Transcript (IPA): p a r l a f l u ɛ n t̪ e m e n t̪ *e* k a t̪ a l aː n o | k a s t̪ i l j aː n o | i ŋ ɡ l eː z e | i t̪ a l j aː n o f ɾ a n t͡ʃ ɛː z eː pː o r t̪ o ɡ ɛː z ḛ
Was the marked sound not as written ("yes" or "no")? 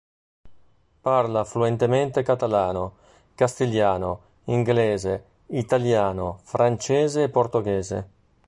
no